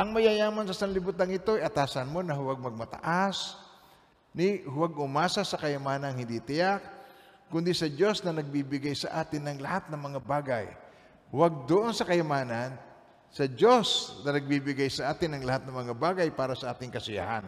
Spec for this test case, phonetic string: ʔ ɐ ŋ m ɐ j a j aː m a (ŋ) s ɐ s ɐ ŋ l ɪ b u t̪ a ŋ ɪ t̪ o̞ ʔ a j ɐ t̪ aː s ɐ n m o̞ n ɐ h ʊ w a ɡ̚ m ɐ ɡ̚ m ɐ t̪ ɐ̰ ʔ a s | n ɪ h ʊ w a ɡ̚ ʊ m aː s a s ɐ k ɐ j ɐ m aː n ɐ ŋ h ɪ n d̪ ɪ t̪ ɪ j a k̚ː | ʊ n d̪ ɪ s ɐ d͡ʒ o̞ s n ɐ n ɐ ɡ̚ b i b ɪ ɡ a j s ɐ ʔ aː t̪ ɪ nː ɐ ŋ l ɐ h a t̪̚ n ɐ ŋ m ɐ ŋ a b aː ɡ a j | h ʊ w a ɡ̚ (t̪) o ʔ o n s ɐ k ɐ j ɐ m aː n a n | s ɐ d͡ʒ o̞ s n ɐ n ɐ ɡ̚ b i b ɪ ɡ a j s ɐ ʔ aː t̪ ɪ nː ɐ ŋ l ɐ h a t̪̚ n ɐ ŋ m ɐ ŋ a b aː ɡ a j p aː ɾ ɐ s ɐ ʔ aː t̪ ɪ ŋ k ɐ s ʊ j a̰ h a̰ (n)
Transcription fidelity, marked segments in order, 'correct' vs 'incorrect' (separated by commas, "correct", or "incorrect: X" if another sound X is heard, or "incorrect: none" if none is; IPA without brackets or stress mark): incorrect: n, incorrect: d̪, correct